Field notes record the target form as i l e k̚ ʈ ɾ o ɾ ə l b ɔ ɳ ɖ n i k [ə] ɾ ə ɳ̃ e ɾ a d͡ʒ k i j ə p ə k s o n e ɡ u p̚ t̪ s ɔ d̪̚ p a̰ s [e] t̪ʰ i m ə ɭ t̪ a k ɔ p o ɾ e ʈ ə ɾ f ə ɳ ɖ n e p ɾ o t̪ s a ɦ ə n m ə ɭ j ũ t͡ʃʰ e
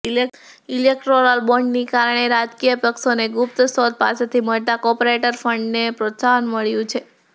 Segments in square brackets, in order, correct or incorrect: incorrect, correct

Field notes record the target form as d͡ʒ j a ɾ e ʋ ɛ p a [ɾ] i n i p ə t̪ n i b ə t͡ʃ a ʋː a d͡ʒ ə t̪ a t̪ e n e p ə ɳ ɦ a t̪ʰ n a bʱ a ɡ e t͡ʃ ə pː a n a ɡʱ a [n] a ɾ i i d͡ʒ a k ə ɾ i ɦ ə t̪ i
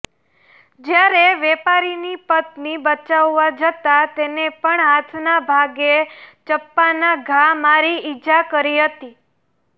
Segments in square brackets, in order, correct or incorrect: correct, incorrect

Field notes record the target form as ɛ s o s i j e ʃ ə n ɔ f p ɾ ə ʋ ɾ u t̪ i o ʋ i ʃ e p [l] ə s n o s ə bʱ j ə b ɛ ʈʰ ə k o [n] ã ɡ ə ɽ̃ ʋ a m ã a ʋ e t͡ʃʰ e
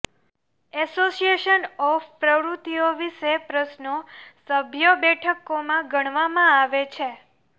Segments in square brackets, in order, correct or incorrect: incorrect, incorrect

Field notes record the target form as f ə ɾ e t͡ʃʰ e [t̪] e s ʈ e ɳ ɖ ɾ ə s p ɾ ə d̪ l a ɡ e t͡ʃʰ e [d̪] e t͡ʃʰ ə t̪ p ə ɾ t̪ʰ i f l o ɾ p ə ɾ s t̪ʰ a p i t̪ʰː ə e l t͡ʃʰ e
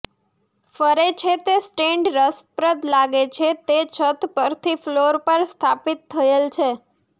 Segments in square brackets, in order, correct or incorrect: correct, incorrect

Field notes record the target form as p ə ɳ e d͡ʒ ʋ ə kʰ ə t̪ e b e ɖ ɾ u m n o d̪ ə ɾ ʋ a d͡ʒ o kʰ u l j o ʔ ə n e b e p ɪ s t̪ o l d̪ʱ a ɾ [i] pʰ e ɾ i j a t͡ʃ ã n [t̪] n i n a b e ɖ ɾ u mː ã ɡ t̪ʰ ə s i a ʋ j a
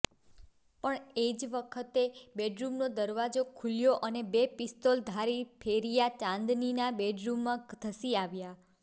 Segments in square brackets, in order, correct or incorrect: correct, incorrect

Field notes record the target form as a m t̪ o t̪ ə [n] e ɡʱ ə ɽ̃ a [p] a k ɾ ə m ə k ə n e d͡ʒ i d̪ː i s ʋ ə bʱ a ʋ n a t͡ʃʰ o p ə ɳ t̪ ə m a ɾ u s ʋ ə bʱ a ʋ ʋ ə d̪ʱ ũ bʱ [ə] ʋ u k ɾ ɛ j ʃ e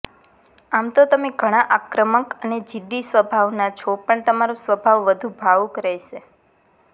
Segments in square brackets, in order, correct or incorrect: incorrect, incorrect, incorrect

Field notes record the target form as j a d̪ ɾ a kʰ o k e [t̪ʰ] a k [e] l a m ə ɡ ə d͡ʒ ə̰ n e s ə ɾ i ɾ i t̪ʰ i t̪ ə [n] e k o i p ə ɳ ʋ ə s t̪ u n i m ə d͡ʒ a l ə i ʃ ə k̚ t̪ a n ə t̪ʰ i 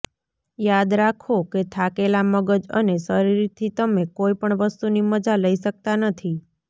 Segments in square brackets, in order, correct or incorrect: correct, correct, incorrect

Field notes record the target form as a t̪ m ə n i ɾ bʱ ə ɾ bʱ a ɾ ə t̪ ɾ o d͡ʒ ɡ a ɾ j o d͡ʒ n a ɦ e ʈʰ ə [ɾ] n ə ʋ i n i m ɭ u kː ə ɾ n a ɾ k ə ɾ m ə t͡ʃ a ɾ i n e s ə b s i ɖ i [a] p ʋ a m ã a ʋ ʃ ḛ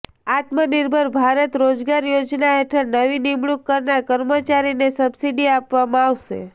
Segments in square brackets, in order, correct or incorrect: correct, correct

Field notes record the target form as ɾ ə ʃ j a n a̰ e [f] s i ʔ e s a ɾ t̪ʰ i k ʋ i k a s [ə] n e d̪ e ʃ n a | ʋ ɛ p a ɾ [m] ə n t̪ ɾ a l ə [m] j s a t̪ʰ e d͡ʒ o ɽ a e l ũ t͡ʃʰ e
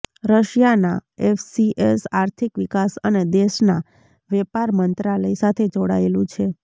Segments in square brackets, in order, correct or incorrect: correct, correct, correct, incorrect

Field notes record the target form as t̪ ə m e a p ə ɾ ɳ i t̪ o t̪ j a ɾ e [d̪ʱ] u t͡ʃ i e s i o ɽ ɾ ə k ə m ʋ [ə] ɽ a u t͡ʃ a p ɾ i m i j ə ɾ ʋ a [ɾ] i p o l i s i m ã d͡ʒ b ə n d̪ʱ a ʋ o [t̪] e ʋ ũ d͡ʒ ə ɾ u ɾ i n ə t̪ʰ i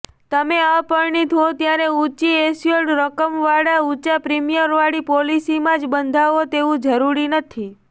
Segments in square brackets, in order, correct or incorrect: incorrect, incorrect, incorrect, correct

